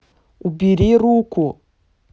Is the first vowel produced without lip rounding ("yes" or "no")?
no